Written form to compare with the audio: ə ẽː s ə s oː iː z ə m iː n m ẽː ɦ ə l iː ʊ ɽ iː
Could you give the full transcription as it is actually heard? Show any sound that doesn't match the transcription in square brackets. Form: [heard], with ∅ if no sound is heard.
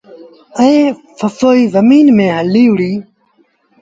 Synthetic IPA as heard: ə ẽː [f] ə [f] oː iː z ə m iː n m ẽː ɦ ə l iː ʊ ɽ iː